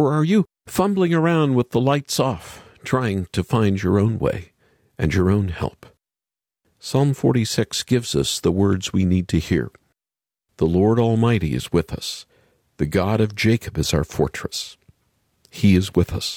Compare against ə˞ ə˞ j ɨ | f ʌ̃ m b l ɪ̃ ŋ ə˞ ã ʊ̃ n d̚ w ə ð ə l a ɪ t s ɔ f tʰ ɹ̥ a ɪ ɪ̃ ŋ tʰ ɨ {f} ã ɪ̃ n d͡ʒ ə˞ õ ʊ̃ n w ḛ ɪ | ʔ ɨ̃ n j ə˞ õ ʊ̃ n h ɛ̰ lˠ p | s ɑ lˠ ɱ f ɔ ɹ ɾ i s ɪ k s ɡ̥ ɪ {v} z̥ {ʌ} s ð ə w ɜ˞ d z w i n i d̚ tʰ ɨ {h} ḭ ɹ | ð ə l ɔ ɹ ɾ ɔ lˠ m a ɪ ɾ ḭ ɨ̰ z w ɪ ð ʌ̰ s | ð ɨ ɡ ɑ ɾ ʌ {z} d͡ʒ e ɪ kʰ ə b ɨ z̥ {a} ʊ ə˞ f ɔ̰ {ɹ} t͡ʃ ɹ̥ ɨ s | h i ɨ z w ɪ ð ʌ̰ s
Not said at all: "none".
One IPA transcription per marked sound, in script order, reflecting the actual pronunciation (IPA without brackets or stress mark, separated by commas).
f, v, ʌ, h, v, a, ɹ